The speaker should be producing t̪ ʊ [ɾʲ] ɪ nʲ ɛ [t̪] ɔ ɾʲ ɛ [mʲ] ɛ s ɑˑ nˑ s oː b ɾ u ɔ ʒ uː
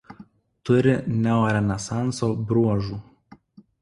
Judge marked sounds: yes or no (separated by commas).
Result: yes, no, no